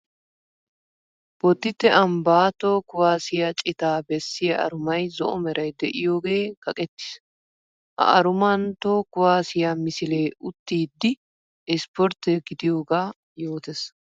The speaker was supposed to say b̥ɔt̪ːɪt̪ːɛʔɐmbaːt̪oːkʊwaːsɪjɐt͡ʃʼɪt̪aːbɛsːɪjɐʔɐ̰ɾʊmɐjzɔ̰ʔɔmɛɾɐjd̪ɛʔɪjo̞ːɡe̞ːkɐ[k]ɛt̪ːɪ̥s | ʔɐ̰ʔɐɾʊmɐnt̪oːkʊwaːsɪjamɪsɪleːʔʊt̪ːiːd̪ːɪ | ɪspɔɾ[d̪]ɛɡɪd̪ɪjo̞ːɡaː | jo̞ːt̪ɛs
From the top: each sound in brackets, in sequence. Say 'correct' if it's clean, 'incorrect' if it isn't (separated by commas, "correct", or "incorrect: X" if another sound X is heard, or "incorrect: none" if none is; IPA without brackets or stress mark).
incorrect: kʼ, incorrect: t̪